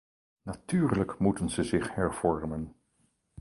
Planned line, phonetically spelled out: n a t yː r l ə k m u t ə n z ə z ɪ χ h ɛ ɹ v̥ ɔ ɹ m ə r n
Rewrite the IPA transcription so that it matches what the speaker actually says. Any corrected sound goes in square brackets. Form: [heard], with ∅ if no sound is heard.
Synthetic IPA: n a t yː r l ə k m u t ə n z ə z ɪ χ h ɛ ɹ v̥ ɔ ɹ m ə [∅] n

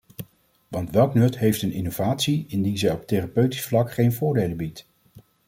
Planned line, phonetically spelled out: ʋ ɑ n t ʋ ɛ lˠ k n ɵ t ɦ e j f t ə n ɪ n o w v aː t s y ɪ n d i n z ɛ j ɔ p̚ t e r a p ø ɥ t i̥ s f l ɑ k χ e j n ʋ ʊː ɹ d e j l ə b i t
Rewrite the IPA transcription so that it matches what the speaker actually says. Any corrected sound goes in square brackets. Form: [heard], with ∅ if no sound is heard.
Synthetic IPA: ʋ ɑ n t ʋ ɛ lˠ k n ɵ t ɦ e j f t ə n ɪ n o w v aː t s [i] ɪ n d i n z ɛ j ɔ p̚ t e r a p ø ɥ t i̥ s f l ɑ k χ e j n [v] ʊː ɹ d e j l ə b i t

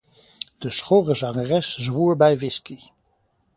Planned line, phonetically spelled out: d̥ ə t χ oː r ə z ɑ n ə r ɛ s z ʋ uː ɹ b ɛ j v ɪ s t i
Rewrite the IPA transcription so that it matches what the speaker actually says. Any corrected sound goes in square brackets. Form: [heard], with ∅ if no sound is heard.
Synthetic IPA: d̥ ə [s] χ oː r ə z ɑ [ŋ] ə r ɛ s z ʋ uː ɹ b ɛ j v ɪ s [k] i

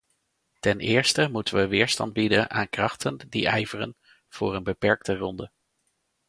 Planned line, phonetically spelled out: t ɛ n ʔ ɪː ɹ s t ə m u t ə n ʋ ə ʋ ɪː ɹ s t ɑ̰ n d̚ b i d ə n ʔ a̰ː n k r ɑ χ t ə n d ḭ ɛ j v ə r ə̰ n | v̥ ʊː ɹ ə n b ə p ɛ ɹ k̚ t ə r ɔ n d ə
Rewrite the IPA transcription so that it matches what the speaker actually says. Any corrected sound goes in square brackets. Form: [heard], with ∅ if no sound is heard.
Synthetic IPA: t ɛ n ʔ ɪː ɹ s t ə m u t ə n ʋ ə ʋ ɪː ɹ s t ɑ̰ n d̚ b i d ə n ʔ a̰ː n k r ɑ χ t ə n d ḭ ɛ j v ə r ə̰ n | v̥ ʊː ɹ ə n b ə p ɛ ɹ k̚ t ə r ɔ n d ə

